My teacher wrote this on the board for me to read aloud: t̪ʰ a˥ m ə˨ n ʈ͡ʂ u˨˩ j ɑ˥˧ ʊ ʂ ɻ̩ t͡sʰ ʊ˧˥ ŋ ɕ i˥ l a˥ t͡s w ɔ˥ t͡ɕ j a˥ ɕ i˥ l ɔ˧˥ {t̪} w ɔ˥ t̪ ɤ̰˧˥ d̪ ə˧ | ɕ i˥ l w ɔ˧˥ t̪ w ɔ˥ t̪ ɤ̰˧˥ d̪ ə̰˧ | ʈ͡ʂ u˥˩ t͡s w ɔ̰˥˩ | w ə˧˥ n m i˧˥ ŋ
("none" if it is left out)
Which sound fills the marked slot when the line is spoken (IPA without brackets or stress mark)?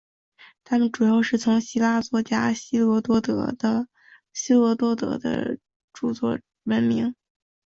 t̪